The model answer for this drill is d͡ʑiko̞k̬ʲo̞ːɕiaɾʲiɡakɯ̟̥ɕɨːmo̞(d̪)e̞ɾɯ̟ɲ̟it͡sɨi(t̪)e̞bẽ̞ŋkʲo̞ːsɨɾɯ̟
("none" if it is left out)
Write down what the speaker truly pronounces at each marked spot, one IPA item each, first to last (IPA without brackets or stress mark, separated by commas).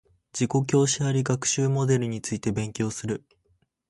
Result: d̪, t̪